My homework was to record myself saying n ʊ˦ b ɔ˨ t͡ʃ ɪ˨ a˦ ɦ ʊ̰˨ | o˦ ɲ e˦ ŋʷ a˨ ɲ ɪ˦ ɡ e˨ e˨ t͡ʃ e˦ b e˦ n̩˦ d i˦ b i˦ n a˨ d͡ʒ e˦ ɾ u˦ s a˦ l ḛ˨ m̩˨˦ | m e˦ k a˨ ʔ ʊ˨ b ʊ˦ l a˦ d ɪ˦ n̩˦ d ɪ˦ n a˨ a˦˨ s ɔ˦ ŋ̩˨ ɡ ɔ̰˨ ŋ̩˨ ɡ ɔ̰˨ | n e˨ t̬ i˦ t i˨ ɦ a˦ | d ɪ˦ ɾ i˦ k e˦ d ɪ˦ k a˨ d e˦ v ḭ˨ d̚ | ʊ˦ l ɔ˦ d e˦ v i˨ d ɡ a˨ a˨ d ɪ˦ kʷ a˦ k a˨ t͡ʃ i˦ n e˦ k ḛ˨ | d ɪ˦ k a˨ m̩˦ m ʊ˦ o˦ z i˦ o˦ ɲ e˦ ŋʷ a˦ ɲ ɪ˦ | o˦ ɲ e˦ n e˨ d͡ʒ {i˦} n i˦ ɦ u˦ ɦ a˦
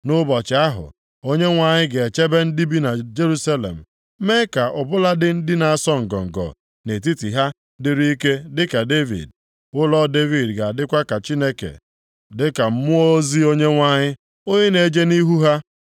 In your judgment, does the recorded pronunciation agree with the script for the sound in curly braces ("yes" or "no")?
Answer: no